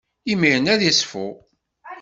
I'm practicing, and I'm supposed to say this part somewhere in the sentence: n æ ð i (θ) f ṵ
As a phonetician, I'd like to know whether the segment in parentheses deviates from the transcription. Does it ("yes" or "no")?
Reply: yes